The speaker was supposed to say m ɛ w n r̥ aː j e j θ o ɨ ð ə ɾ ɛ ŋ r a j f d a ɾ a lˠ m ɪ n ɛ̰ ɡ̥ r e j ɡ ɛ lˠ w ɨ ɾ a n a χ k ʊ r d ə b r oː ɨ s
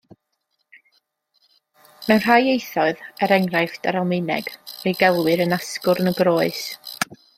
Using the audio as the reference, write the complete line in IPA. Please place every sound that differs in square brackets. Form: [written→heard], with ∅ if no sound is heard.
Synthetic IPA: m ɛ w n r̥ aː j e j θ [o→ɔ] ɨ ð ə ɾ ɛ ŋ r a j f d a ɾ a lˠ m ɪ n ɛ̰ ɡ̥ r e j ɡ ɛ lˠ w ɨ ɾ [a→ə] n a [χ→s] k ʊ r [d→n] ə [b→ɡ] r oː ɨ s